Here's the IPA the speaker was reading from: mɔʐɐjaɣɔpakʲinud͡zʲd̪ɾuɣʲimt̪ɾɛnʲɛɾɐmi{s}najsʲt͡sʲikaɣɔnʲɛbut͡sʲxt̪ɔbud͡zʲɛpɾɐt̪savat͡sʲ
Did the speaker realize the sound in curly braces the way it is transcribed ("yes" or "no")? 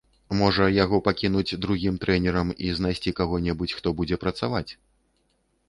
no